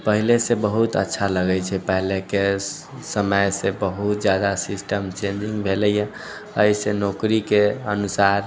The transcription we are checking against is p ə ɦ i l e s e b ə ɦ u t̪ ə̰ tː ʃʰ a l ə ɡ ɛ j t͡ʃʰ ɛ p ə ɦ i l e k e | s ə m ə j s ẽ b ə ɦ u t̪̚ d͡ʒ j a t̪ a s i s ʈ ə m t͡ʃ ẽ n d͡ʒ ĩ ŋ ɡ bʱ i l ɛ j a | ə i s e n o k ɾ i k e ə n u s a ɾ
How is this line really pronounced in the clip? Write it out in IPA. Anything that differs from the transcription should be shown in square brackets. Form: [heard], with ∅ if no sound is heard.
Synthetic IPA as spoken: p ə ɦ i l e s e b ə ɦ u t̪ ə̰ tː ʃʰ a l ə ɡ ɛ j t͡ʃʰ ɛ p ə ɦ i l e k e | s ə m ə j s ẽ b ə ɦ u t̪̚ d͡ʒ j a [d̪] a s i s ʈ ə m t͡ʃ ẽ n d͡ʒ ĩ ŋ ɡ bʱ [e] l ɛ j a | ə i s e n o k ɾ i k e ə n u s a ɾ